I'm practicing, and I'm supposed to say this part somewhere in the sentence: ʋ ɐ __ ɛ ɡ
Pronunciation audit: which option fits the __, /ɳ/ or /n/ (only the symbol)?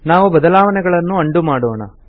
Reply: n